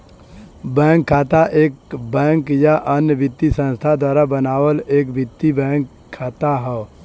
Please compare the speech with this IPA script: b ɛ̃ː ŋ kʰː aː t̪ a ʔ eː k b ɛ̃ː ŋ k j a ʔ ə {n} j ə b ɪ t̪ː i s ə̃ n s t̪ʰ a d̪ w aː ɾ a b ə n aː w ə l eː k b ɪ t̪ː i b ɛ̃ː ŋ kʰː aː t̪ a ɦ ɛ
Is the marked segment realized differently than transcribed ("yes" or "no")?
no